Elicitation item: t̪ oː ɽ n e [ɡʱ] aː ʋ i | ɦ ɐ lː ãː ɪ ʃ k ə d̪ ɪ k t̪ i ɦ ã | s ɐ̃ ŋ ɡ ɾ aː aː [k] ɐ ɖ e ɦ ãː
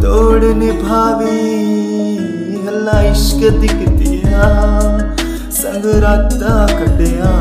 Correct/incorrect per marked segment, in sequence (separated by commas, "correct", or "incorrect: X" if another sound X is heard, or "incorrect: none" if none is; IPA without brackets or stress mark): incorrect: bʱ, correct